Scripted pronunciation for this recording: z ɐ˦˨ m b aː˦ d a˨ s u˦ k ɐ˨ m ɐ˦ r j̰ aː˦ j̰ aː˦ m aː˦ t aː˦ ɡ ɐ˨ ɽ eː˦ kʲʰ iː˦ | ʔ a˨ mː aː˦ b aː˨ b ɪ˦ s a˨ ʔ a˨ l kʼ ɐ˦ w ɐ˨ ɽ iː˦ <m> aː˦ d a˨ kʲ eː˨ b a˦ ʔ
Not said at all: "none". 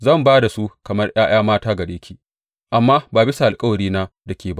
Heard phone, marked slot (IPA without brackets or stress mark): n